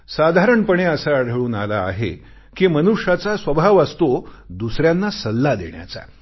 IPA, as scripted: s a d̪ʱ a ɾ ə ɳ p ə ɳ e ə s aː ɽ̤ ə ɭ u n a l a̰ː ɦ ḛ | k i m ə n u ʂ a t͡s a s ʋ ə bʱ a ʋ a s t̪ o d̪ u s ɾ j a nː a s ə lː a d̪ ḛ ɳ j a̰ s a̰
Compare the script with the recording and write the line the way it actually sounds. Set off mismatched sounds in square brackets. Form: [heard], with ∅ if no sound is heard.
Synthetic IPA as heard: s a d̪ʱ a ɾ ə ɳ p ə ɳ e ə s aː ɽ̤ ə ɭ [uː] n a l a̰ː ɦ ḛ | k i m ə n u ʂ a t͡s a s ʋ ə bʱ a ʋ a s t̪ o d̪ u s ɾ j a nː a s ə lː a d̪ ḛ ɳ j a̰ [t͡s] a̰